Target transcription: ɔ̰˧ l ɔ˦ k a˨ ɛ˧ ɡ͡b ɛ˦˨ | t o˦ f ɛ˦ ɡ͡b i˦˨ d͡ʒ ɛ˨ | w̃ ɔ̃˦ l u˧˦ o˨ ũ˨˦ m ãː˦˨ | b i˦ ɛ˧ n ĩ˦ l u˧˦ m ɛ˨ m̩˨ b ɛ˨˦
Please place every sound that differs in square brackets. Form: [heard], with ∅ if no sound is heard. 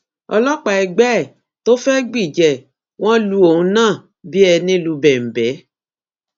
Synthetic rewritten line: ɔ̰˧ l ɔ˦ [k͡p] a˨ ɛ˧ ɡ͡b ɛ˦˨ | t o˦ f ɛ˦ ɡ͡b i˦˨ d͡ʒ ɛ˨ | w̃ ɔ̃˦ l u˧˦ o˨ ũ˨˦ [n] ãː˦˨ | b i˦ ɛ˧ n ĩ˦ l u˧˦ [b] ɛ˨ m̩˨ b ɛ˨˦